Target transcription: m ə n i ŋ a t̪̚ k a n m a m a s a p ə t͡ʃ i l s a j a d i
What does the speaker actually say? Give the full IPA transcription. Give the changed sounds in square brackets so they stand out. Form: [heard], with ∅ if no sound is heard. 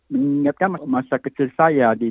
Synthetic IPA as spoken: m ə [ŋ] i ŋ a t̪̚ k a n m a m a s a [k] ə t͡ʃ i l s a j a d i